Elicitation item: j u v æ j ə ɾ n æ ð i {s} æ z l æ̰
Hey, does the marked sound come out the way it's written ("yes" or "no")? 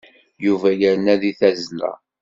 no